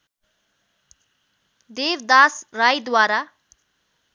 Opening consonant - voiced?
yes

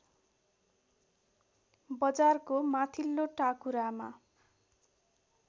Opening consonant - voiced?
yes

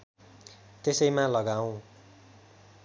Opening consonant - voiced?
no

